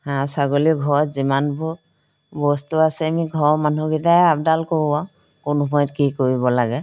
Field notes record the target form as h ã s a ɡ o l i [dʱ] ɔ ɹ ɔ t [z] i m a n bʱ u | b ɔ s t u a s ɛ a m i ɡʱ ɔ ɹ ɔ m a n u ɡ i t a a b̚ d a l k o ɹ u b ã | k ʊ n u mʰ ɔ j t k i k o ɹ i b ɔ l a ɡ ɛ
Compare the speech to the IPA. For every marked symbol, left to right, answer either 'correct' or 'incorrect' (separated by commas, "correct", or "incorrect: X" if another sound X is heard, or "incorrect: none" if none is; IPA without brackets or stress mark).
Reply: incorrect: ɡʱ, correct